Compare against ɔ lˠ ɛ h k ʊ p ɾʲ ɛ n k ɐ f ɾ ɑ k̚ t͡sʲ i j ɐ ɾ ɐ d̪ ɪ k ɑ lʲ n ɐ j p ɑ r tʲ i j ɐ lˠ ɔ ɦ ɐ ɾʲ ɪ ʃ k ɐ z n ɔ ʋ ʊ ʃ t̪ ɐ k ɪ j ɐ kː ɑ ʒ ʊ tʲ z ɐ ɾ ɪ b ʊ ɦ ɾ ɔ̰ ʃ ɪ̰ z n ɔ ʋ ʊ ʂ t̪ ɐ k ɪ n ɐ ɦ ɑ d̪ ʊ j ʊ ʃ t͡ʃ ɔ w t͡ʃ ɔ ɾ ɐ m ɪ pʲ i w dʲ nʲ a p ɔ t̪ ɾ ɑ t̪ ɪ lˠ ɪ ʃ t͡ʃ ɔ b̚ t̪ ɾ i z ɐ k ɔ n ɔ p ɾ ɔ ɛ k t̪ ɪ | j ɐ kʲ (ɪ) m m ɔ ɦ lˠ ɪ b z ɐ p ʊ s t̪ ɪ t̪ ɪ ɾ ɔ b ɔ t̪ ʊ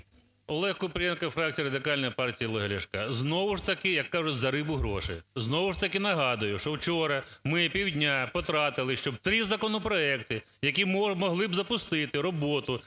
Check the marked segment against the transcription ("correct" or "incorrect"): incorrect